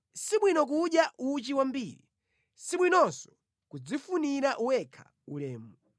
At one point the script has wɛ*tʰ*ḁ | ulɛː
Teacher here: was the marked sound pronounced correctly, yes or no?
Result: no